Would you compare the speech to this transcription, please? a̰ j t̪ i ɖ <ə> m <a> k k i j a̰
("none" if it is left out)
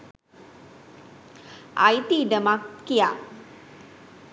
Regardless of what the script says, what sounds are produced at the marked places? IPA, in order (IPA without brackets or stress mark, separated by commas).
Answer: ə, a